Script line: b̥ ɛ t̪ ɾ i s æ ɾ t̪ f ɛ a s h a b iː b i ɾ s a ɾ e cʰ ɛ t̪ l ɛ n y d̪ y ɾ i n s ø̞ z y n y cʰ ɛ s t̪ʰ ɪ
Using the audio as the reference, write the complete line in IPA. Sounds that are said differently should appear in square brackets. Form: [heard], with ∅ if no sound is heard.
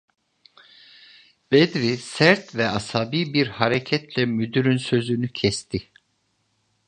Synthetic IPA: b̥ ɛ [d̪] ɾ i s æ ɾ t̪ [v] ɛ a s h a b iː b i ɾ [h] a ɾ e cʰ ɛ t̪ l ɛ [m] y d̪ y ɾ [y] n s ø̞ z y n y cʰ ɛ s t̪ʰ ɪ